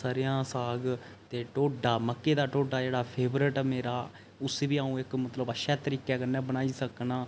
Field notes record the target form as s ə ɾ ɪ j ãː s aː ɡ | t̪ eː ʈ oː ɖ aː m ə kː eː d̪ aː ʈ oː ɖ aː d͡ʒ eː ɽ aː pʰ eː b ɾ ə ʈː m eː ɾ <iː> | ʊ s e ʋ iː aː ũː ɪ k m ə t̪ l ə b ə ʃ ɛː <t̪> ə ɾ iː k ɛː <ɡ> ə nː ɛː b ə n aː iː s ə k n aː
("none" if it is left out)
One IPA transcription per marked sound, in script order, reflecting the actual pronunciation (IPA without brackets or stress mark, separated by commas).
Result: aː, t̪, k